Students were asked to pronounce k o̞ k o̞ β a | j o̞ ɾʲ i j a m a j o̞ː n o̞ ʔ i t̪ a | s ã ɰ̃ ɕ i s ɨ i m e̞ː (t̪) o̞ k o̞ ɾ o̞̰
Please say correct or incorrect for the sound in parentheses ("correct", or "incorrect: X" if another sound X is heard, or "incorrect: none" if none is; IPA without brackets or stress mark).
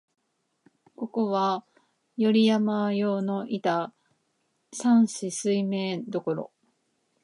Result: incorrect: d̪